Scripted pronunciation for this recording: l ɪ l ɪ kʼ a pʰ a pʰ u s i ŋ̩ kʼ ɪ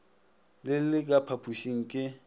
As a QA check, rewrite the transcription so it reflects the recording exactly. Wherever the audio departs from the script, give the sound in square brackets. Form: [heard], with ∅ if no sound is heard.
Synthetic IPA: l ɪ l ɪ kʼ a pʰ a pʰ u [ʃ] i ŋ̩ kʼ ɪ